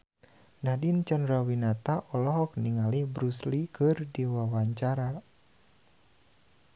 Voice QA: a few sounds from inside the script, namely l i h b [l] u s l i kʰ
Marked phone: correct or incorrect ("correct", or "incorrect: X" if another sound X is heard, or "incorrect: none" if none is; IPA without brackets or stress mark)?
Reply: incorrect: ɾ